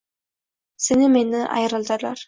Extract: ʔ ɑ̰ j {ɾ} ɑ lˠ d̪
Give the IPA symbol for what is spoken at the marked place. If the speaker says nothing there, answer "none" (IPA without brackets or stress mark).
ɾ